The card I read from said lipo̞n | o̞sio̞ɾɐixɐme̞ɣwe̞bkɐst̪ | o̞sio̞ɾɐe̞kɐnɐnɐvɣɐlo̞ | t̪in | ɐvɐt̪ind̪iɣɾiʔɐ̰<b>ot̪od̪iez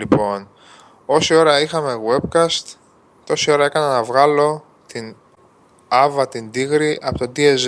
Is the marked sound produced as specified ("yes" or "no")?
no